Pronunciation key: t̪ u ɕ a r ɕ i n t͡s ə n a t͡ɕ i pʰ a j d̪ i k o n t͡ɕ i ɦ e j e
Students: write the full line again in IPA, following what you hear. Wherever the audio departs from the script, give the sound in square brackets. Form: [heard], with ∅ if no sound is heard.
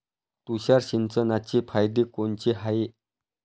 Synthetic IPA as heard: t̪ u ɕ a r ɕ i n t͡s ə n a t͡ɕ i pʰ a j d̪ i k o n t͡ɕ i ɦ [a] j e